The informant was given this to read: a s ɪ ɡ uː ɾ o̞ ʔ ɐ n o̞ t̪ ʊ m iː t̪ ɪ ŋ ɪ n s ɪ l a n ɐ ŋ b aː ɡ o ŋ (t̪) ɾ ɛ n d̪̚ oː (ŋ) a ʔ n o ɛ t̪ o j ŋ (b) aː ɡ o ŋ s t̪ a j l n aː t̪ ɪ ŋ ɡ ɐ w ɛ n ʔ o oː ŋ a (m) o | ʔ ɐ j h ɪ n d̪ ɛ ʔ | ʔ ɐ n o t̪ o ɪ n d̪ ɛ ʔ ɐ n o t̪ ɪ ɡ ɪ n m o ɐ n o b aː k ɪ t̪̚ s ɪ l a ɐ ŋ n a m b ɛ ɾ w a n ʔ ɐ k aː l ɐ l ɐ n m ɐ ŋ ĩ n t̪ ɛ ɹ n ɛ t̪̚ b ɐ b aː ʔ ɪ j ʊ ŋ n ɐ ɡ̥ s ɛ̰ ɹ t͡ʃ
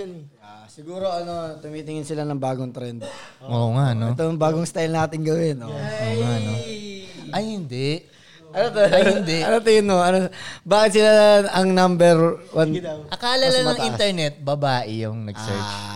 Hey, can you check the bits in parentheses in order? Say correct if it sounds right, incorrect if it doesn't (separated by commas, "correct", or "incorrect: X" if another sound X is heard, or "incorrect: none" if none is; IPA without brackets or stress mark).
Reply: correct, correct, correct, incorrect: n